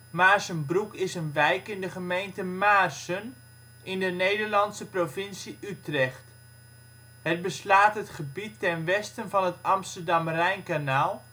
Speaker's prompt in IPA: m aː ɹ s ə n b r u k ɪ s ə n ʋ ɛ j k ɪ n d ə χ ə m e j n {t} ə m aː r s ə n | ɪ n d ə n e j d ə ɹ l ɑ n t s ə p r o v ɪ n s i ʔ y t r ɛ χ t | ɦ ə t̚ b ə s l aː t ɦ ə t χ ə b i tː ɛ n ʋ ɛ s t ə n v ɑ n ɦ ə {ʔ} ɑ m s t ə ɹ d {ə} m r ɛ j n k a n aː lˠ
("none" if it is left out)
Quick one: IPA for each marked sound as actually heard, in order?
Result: t, t, ɑ

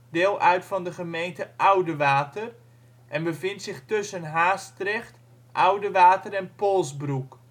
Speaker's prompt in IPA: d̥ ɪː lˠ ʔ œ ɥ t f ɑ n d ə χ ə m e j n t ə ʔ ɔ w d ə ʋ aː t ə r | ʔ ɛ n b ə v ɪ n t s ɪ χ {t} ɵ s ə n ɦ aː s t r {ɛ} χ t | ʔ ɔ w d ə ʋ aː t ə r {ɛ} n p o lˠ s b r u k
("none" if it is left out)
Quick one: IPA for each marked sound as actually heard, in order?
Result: t, ɛ, ɛ

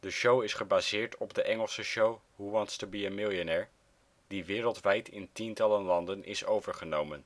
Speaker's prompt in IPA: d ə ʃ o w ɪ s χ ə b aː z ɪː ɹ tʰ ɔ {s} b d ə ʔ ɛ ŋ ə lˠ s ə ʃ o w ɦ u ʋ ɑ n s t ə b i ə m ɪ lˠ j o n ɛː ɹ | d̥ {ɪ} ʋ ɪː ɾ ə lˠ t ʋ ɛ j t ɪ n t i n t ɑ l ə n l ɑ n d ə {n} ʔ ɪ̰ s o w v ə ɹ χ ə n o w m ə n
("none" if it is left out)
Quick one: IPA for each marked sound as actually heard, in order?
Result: none, i, n

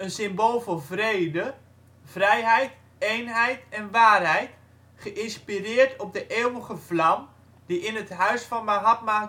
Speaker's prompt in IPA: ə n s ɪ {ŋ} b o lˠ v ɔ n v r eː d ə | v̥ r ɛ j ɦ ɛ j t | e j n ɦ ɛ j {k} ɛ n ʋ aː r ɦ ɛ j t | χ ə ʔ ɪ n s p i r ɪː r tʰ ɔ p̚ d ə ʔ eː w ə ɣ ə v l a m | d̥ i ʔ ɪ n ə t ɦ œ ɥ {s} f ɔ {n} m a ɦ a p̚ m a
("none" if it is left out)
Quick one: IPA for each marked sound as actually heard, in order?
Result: m, t, s, n

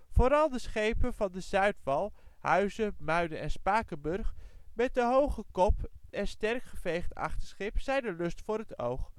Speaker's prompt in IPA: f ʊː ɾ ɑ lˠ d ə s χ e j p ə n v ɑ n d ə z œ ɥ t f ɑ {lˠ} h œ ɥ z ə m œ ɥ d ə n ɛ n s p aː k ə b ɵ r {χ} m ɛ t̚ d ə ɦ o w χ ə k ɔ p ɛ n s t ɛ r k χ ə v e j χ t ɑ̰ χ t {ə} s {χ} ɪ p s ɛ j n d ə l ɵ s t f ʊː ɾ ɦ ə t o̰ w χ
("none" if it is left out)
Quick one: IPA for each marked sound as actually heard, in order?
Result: lˠ, χ, ə, χ

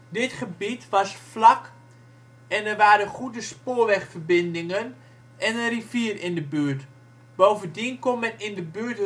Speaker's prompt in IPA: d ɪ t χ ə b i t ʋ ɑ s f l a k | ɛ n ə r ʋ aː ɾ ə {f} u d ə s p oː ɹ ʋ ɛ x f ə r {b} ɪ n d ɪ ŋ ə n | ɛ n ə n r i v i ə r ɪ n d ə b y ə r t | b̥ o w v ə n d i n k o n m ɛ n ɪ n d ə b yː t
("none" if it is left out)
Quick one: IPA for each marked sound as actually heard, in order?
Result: χ, b

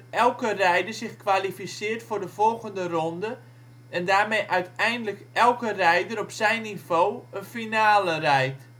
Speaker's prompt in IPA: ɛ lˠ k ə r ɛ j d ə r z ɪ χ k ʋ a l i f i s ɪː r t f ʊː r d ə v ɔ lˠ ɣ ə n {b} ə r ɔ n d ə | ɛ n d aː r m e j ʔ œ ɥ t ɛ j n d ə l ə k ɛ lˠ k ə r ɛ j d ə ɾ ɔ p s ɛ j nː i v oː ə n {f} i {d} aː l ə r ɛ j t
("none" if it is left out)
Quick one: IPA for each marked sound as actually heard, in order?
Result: d, f, n

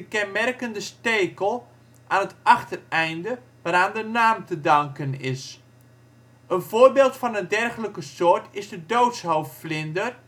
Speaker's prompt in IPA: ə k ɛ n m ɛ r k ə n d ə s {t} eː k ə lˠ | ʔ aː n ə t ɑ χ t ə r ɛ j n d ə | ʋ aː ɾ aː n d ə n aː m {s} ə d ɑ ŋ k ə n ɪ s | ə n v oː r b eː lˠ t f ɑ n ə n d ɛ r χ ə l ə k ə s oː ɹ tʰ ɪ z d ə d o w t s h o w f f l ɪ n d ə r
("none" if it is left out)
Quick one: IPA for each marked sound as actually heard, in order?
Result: t, t

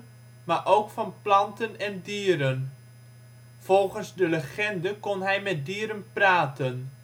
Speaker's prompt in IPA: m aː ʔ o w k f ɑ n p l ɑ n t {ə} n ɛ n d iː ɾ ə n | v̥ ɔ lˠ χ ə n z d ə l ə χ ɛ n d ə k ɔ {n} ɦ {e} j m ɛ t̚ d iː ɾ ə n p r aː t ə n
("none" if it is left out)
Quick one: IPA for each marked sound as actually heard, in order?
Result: ə, n, ɛ

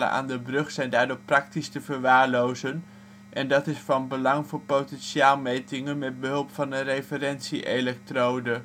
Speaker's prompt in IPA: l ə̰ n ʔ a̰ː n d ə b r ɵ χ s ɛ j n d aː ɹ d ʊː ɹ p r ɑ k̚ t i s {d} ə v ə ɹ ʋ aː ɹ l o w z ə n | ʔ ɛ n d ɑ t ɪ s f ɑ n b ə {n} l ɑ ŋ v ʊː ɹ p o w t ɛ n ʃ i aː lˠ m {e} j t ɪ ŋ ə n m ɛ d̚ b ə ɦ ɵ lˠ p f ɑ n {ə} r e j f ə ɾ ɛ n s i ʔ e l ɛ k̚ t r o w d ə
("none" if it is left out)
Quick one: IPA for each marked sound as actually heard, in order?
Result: t, none, e, ə

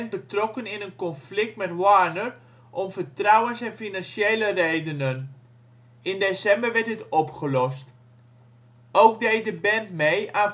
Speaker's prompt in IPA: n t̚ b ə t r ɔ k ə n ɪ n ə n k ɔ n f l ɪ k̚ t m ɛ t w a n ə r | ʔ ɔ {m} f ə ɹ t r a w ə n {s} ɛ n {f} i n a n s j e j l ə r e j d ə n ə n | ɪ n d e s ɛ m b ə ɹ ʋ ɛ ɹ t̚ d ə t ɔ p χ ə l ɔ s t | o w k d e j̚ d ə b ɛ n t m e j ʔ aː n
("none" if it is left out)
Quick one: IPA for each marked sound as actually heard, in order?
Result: m, s, f

